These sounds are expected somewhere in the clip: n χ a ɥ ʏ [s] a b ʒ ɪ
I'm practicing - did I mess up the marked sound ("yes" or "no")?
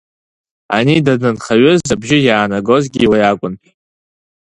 yes